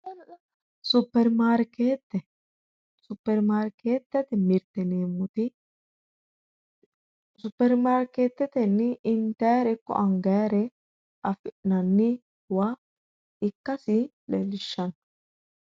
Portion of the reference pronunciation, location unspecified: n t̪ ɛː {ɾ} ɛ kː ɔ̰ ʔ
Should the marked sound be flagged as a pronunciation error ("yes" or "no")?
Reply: no